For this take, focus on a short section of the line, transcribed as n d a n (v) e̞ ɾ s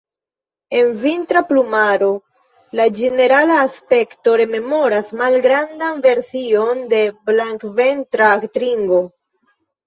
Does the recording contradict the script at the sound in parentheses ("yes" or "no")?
no